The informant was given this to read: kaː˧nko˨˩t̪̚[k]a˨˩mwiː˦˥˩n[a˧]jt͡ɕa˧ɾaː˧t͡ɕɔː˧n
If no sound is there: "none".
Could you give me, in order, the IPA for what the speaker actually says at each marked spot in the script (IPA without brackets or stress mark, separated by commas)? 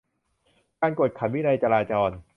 kʰ, a˧